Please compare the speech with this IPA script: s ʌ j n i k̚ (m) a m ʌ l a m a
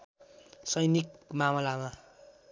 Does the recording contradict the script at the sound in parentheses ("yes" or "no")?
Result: no